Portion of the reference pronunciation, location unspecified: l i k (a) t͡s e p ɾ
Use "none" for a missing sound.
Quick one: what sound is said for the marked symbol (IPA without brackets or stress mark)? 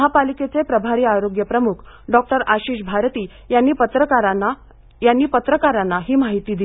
e